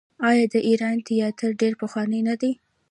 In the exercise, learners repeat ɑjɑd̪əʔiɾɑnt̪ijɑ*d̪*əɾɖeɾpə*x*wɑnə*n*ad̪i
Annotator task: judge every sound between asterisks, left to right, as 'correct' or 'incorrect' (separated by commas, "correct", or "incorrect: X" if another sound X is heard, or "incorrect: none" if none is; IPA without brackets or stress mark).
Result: incorrect: t̪, correct, correct